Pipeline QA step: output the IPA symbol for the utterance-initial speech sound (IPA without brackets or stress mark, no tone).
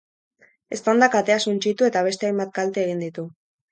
e̞